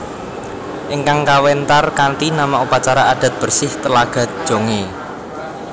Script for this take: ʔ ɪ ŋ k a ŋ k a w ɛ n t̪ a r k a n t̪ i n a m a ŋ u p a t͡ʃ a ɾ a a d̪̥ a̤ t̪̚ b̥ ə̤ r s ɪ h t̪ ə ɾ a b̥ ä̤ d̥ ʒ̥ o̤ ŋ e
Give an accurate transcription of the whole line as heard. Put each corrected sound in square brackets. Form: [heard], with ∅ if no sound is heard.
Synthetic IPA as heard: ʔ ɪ ŋ k a ŋ k a w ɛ n t̪ a r k a n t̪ i n a m a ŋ u p a t͡ʃ a ɾ a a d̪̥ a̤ t̪̚ b̥ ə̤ r s ɪ h t̪ ə [l] a [ɡ̥] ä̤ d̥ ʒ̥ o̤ ŋ e